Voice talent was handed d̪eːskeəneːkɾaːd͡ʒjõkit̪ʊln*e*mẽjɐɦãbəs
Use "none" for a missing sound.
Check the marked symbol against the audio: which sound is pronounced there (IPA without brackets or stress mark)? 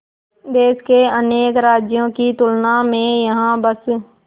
a